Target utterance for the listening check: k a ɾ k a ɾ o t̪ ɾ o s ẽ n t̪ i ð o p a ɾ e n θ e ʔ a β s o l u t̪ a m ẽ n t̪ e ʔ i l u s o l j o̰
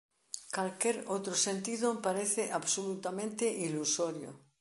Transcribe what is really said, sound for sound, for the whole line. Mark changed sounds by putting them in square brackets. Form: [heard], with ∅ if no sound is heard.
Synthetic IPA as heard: k a [l] k [e] ɾ o t̪ ɾ o s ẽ n t̪ i ð o p a ɾ e [∅] θ e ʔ a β s o l u t̪ a m ẽ n t̪ e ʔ i l u s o [ɾ] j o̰